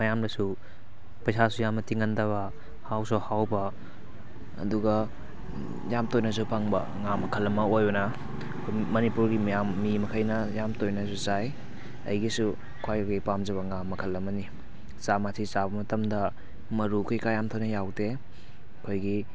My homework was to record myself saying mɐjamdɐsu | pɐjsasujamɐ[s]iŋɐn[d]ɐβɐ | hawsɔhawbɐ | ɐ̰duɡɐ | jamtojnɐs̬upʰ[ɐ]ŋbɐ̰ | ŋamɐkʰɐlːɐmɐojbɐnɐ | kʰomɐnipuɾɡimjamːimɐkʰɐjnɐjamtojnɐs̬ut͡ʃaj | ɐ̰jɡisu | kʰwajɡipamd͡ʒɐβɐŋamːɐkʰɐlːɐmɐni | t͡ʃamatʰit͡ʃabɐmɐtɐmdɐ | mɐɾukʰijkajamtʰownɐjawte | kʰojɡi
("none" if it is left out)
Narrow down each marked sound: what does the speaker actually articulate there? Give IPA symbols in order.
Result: t, d, a

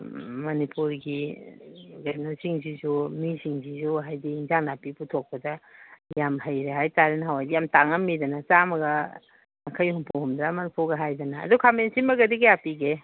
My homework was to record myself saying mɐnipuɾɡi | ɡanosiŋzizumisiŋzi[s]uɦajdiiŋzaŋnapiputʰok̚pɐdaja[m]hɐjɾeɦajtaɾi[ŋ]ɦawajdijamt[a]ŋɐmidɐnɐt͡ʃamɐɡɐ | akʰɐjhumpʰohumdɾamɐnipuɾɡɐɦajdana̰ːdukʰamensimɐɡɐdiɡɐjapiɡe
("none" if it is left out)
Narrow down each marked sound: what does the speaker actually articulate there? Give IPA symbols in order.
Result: z, m, n, a

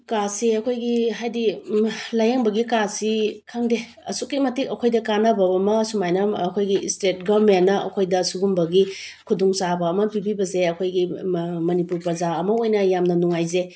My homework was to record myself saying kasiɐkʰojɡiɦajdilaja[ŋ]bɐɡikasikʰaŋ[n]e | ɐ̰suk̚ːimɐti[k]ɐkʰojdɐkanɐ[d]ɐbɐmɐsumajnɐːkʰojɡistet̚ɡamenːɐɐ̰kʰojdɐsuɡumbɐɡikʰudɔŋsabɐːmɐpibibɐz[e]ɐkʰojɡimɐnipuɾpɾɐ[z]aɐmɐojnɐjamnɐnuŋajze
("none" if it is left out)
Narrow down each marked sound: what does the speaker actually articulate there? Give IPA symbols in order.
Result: ŋ, d, k, b, e, z

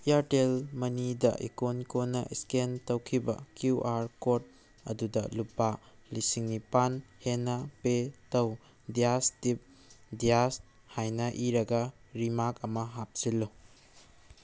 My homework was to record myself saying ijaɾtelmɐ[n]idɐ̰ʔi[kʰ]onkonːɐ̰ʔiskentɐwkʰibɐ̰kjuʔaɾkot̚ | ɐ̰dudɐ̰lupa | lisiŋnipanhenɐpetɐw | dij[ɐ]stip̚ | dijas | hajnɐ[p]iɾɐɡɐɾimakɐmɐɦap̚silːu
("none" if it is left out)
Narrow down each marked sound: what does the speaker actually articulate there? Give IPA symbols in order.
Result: n, k, a, ʔ

